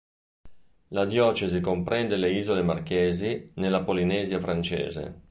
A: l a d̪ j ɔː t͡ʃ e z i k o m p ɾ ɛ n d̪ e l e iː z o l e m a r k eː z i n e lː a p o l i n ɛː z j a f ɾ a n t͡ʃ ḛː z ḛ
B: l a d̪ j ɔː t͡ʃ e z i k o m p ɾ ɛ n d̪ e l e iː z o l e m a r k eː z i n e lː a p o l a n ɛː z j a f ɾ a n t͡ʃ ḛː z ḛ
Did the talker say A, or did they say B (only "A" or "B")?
A